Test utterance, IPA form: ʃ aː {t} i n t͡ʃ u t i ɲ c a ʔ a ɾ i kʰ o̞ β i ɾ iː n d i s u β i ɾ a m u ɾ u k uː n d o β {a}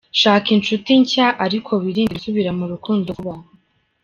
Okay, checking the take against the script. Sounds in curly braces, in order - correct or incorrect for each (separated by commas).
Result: incorrect, correct